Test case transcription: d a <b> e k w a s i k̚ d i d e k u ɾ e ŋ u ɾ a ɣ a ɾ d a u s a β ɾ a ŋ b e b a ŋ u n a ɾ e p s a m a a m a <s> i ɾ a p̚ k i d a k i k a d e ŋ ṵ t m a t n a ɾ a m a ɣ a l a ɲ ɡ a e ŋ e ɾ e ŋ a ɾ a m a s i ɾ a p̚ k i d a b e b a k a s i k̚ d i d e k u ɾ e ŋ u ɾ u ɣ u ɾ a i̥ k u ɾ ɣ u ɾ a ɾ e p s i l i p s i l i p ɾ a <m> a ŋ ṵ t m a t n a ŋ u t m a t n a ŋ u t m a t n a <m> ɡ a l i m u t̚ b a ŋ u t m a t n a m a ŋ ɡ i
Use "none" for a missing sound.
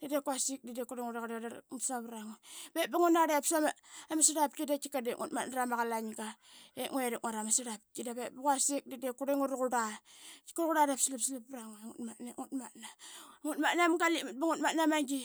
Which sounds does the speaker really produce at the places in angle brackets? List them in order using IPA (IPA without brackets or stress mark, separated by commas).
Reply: d, s, ŋ, m